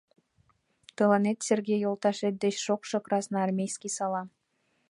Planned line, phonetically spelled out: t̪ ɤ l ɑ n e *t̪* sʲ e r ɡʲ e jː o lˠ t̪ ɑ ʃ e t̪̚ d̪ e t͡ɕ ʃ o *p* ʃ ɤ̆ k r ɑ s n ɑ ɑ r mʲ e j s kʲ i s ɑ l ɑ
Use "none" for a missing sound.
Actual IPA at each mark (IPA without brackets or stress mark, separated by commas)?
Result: t̪, k